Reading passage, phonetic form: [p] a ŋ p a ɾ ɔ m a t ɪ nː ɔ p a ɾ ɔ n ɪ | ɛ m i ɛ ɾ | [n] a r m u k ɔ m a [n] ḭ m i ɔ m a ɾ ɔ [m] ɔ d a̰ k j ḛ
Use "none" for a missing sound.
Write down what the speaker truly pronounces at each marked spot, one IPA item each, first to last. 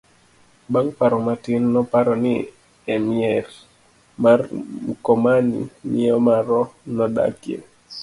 b, m, n, n

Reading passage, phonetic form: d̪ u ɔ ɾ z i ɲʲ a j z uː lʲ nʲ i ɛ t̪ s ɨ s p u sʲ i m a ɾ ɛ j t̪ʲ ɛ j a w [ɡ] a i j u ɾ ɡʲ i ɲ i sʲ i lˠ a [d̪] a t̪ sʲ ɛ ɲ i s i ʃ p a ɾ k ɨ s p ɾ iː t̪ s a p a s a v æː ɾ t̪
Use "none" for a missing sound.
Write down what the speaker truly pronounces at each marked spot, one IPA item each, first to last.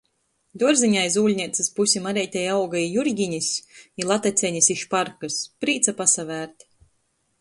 ɡ, t̪

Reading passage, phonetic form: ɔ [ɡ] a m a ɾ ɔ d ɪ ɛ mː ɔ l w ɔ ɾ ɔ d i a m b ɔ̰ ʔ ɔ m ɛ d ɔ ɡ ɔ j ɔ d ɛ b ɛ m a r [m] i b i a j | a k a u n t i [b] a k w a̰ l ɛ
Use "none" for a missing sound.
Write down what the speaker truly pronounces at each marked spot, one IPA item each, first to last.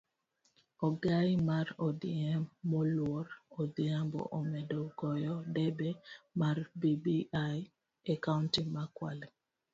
ɡ, b, m

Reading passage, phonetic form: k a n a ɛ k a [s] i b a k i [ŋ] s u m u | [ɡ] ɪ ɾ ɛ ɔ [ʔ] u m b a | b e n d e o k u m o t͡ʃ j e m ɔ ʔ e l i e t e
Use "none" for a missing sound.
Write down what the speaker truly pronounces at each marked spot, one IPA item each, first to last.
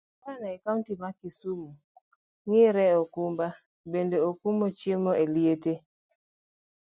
t, none, ŋ, k

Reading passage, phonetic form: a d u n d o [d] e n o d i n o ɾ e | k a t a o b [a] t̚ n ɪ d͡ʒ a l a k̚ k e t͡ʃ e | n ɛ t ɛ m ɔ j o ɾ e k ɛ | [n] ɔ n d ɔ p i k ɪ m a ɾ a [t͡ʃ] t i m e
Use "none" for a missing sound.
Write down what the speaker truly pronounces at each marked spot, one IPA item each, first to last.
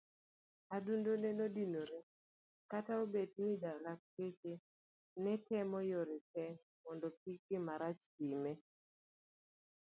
n, e, m, t͡ʃ

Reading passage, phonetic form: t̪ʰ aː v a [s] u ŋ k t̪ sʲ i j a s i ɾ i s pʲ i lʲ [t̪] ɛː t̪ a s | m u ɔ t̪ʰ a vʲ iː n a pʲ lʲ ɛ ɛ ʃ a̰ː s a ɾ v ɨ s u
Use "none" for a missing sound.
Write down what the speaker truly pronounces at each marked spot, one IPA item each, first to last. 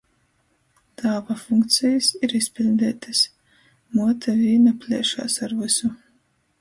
f, d̪

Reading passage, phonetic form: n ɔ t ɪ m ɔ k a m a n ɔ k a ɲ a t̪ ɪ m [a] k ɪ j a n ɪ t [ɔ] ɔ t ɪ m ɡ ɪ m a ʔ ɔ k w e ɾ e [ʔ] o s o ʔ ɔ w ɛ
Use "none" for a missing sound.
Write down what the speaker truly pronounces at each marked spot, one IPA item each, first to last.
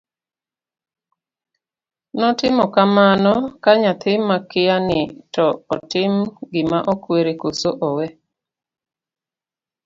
a, ɔ, k

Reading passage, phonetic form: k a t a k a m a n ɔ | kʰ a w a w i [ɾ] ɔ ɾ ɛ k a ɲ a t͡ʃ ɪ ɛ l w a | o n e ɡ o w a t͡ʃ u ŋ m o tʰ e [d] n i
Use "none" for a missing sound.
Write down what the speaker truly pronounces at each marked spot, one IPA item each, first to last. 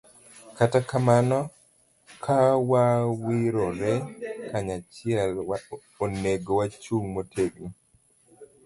ɾ, ɡ

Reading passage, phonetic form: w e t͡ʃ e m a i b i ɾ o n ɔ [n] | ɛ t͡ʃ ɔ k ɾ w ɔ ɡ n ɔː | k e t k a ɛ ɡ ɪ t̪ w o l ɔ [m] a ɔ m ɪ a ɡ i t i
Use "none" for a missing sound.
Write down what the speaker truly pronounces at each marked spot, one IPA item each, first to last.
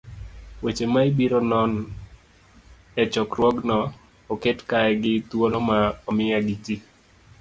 n, m

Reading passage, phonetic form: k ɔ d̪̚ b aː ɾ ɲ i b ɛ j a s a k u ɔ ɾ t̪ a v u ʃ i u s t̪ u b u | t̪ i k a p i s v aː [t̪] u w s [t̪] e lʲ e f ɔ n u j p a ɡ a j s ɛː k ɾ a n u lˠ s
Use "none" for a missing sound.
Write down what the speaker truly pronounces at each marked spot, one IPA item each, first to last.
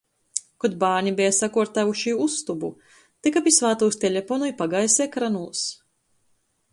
t̪, t̪

